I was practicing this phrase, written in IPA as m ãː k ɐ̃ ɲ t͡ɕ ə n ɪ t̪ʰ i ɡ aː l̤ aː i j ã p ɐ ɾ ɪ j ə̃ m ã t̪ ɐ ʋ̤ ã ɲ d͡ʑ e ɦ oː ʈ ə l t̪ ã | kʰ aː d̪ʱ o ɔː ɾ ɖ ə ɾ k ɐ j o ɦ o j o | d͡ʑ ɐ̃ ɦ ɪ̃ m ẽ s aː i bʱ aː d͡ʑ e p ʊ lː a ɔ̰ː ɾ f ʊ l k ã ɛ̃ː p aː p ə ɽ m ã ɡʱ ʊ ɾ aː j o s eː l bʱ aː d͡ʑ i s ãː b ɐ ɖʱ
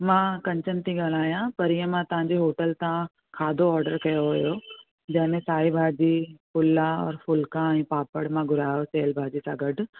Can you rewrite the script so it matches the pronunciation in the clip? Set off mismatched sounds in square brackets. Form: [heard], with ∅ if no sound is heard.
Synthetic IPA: m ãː k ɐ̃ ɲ t͡ɕ ə n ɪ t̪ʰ i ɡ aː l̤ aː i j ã p ɐ ɾ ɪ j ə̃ m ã t̪ ɐ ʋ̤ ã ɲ d͡ʑ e ɦ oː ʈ ə l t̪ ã | kʰ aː d̪ʱ o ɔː ɾ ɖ ə ɾ k ɐ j o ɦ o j o | d͡ʑ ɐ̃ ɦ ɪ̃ m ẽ s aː i bʱ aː d͡ʑ [i] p ʊ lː a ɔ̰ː ɾ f ʊ l k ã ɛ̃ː p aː p ə ɽ m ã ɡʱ ʊ ɾ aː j o s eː l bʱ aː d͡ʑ i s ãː [ɡ] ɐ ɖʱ